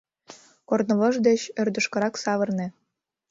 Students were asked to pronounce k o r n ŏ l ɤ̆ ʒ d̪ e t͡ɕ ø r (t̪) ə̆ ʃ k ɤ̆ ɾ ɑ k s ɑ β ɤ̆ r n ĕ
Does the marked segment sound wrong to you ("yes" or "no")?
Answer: yes